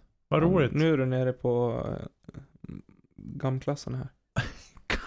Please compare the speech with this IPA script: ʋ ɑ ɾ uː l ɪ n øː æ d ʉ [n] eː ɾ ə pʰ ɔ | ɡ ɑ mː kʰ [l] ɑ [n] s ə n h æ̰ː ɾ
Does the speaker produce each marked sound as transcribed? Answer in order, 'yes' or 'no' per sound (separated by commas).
yes, yes, no